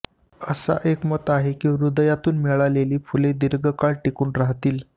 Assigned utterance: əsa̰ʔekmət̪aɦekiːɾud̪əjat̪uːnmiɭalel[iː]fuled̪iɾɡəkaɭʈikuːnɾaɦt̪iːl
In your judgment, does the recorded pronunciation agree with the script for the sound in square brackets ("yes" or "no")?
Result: yes